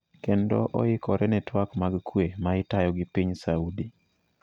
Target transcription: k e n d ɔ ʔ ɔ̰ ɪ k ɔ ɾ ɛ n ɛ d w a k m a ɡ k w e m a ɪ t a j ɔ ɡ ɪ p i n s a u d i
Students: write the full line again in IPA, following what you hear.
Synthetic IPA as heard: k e n d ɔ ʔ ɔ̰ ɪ k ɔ ɾ ɛ n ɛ t w a k m a ɡ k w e m a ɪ t a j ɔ ɡ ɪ p i ɲ s a u d i